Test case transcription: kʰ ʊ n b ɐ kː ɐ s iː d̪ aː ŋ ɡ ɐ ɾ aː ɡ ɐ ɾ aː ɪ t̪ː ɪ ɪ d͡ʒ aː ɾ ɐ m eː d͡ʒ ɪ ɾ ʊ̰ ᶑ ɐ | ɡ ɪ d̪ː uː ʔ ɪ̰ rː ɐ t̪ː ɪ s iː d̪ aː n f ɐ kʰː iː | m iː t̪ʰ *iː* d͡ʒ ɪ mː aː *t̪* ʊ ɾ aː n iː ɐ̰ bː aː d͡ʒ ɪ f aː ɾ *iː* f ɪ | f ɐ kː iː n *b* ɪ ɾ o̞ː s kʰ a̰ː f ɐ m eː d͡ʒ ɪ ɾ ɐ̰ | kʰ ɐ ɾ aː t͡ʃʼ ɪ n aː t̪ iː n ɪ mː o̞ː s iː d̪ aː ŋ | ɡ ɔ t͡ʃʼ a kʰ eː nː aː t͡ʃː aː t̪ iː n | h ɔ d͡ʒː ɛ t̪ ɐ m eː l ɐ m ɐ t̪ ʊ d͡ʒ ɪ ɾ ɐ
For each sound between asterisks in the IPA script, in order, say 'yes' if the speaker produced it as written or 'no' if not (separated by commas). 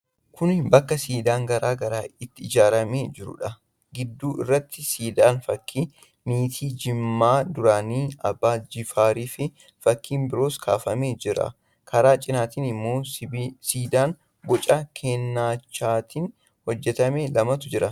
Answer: yes, no, yes, yes